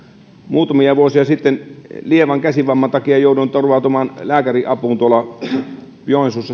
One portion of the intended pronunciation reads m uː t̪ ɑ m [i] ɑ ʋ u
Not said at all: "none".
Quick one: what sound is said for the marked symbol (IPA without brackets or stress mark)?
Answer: i